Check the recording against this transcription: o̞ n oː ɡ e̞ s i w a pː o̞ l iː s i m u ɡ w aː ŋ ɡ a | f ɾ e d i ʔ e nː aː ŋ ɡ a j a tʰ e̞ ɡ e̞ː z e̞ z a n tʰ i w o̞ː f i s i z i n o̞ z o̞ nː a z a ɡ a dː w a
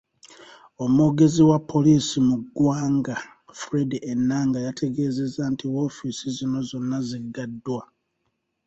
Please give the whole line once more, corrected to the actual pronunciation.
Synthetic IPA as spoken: o̞ m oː ɡ e̞ z i w a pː o̞ l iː s i m u ɡ w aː ŋ ɡ a | f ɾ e d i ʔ e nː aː ŋ ɡ a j a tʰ e̞ ɡ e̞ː z e̞ z a n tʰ i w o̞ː f i s i z i n o̞ z o̞ nː a z i ɡ a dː w a